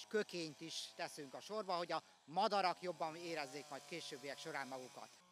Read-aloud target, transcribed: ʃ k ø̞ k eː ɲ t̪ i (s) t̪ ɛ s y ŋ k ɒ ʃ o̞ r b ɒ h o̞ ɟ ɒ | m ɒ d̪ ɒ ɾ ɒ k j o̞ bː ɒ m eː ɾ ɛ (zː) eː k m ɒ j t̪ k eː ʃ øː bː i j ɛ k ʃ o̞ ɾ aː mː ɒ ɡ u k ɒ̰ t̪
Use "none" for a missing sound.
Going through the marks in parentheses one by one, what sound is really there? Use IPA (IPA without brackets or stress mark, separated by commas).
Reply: ʃ, zː